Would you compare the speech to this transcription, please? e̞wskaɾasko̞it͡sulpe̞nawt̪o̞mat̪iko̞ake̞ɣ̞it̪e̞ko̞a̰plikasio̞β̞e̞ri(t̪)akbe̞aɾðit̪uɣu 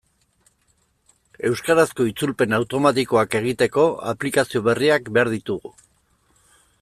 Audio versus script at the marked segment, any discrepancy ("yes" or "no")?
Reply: yes